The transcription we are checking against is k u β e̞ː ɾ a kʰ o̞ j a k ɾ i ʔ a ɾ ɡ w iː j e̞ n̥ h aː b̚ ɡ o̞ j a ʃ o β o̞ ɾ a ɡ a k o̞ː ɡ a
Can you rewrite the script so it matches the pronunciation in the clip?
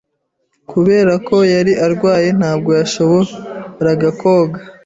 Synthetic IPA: k u β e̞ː ɾ a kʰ o̞ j a ɾ i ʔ a ɾ ɡ w aː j e̞ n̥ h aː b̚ ɡ o̞ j a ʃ o β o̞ ɾ a ɡ a k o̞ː ɡ a